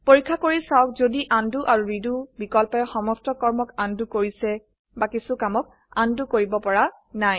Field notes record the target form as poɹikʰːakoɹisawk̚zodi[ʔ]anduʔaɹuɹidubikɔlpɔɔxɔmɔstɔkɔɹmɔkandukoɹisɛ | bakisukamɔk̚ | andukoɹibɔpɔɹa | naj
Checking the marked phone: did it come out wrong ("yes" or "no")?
no